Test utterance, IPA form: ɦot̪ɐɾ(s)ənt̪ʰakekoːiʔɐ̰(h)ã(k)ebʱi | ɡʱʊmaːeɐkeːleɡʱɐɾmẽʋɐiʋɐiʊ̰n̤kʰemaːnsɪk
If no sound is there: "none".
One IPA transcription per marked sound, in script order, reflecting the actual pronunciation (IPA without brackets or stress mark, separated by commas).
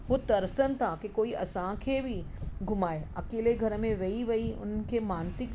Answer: s, s, kʰ